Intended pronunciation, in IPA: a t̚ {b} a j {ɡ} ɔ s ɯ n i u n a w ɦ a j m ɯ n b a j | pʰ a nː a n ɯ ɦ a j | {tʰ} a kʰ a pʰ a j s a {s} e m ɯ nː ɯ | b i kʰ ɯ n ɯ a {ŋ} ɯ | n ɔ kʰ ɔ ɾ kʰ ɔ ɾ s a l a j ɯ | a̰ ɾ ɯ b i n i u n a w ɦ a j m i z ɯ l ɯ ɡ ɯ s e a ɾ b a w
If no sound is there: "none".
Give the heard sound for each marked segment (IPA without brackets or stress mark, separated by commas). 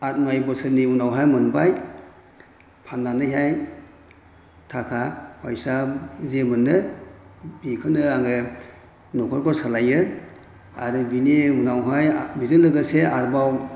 m, b, tʰ, z, ŋ